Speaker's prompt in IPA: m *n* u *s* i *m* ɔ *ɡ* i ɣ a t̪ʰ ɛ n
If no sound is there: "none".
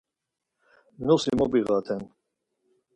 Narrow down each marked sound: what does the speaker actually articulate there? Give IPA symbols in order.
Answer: n, s, m, b

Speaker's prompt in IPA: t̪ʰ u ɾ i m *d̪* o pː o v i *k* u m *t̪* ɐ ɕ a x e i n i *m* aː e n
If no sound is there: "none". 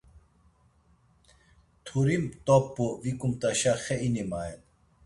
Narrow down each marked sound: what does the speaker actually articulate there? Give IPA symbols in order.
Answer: t̪, k, t̪, m

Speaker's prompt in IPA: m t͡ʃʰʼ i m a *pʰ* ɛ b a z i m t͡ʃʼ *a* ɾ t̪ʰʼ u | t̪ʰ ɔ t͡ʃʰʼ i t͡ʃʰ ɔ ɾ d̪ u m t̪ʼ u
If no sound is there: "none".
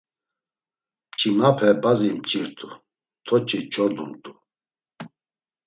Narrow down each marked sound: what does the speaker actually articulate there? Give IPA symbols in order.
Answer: pʰ, i

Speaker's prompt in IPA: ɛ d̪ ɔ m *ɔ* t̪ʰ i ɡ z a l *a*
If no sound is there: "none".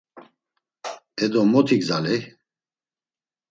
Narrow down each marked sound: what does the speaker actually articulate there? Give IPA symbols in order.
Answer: ɔ, ɛ

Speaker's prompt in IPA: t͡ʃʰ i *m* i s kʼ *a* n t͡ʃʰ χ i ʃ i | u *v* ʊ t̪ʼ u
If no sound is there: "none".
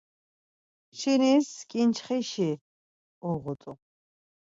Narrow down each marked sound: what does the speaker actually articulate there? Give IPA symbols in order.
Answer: n, i, ʁ

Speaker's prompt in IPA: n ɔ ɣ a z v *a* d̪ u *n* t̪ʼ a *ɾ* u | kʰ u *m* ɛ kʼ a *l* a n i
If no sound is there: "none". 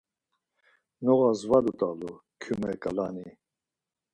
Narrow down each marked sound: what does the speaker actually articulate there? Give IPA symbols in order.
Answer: a, none, l, m, l

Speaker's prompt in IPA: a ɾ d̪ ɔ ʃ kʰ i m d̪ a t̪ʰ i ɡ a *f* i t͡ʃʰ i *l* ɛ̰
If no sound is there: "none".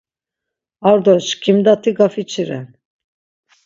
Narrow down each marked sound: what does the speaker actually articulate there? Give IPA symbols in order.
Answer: f, ɾ

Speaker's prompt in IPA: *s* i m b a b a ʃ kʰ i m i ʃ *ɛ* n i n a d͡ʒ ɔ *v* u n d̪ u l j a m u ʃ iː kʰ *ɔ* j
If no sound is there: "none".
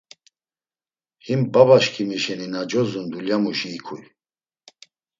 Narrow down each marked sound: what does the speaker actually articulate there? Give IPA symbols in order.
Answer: h, ɛ, z, u

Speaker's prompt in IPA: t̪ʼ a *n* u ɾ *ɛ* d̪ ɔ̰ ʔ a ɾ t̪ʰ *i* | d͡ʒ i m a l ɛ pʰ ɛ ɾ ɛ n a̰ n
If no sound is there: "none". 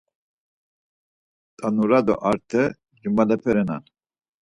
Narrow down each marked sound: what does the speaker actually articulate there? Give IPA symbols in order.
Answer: n, a, ɛ

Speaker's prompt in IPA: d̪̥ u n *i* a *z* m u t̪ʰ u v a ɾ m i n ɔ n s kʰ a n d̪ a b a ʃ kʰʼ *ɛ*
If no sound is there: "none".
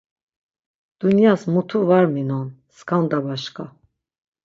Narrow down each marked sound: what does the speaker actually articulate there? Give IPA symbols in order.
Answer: j, s, a

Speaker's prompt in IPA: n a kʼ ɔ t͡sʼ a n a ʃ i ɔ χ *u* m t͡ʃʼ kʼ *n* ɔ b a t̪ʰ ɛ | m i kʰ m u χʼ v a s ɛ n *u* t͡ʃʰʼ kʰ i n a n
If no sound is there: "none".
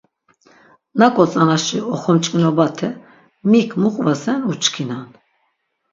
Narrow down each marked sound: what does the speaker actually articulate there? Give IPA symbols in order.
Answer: ɔ, n, u

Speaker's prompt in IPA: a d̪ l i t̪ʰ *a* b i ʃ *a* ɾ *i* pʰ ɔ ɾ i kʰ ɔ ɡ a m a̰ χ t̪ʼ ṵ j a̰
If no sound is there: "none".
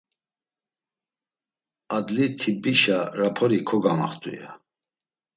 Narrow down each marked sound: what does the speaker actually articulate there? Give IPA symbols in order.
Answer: i, a, a

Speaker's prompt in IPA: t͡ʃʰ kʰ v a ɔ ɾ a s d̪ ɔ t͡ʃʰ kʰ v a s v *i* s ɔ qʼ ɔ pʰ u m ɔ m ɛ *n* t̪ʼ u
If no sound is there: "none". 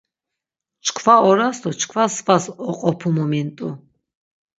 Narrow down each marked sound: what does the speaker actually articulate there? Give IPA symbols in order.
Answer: a, n

